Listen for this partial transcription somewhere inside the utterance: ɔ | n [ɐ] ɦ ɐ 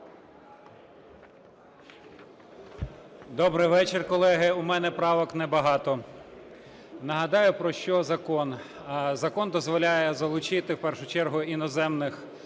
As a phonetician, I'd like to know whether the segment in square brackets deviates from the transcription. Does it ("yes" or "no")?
no